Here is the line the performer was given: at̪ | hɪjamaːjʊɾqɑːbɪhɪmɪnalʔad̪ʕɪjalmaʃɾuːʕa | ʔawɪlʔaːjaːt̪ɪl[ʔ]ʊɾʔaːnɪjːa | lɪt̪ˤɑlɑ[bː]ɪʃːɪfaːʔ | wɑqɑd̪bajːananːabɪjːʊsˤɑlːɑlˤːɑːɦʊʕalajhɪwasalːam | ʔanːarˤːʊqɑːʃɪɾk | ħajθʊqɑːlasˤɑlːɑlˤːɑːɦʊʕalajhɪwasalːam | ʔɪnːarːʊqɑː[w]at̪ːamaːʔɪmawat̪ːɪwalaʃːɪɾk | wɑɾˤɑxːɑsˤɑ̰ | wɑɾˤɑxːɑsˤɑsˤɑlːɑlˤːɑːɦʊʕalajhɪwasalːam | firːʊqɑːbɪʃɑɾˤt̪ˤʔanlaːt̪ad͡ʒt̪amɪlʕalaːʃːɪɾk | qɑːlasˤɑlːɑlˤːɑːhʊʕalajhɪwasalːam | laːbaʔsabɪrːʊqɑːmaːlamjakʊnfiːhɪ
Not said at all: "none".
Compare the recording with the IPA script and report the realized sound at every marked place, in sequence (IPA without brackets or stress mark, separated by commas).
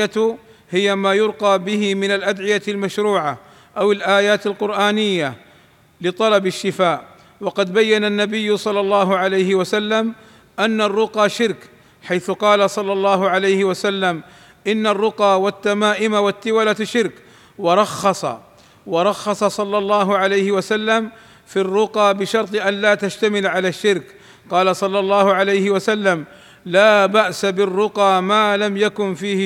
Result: q, b, w